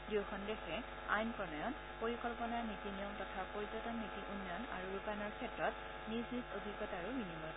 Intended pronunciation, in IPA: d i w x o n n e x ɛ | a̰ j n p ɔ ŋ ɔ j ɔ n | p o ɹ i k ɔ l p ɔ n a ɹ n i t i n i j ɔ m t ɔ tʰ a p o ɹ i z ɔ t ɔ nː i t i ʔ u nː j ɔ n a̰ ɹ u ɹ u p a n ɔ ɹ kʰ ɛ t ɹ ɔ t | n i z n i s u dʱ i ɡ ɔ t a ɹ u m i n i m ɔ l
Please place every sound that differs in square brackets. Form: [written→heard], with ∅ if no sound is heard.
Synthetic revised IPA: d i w x [o→ɔ] n [n→d] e x ɛ | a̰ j n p ɔ [ŋ→n] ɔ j ɔ n | p o ɹ i k ɔ l p ɔ n a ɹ n i t i n i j ɔ m t ɔ tʰ a p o ɹ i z ɔ t ɔ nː i t i ʔ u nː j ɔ n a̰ ɹ u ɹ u p a n ɔ ɹ kʰ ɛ t ɹ ɔ t | n i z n i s [u→o] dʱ i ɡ ɔ t a ɹ u m i n i m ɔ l